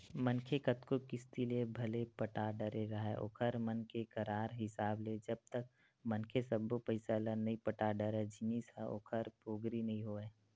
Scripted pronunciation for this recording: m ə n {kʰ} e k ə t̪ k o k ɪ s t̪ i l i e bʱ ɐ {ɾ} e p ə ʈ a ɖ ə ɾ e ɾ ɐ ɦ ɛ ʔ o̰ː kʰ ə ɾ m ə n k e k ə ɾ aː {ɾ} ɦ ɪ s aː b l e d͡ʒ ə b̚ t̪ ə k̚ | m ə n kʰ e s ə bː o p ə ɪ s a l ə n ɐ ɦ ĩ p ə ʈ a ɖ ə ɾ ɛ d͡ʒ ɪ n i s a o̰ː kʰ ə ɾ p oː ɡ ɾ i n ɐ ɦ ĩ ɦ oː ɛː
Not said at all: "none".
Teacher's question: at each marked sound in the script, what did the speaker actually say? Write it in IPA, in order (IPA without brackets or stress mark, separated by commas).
kʰ, l, ɾ